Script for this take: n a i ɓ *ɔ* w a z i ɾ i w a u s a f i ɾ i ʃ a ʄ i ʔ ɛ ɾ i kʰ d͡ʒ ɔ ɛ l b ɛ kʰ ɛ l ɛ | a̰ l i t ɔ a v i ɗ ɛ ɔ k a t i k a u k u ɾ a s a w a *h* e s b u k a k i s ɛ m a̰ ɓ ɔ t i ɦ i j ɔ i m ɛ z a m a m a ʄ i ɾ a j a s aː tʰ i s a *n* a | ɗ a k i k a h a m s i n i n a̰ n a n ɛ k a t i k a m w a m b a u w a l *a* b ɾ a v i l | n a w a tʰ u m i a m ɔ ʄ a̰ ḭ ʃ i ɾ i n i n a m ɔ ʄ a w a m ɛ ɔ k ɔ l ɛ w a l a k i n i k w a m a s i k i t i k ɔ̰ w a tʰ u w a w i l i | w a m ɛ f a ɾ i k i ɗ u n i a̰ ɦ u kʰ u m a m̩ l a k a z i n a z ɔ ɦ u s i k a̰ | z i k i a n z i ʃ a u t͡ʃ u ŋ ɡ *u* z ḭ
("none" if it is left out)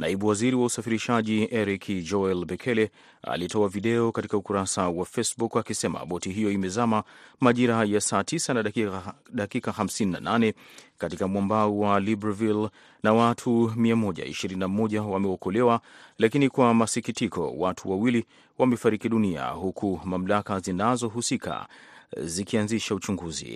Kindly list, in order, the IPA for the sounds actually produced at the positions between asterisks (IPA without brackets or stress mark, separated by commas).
u, f, n, i, u